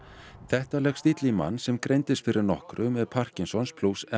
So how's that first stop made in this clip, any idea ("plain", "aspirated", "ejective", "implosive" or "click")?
plain